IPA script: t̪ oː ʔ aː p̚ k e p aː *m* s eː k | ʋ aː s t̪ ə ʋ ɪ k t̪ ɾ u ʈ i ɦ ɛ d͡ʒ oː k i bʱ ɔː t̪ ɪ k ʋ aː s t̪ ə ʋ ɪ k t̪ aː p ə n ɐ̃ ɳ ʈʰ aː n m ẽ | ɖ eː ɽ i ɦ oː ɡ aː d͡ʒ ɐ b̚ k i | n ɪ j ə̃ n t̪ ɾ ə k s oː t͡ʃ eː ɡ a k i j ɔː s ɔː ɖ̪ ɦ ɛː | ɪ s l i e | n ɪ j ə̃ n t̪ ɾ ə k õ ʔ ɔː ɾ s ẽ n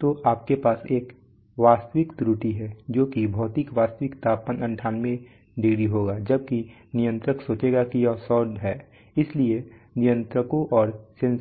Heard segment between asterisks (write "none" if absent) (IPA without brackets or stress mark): none